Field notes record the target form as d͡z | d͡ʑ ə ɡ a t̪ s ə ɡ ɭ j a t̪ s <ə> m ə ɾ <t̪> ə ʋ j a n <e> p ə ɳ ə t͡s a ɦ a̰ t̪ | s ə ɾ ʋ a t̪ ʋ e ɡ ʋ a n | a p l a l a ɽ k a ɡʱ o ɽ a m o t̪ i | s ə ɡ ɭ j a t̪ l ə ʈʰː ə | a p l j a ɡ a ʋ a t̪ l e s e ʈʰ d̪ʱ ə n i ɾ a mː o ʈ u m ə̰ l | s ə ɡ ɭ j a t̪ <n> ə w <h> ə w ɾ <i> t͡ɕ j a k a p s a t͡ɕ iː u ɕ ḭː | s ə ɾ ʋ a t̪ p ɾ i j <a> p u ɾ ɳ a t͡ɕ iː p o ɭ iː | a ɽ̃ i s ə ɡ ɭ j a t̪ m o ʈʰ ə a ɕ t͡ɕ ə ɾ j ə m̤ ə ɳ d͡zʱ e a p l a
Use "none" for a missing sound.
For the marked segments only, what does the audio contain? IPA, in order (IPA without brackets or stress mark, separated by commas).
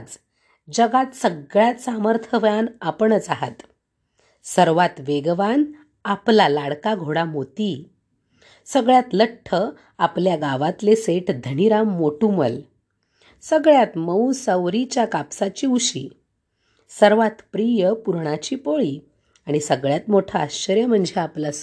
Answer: a, t̪ʰ, a, m, s, i, ə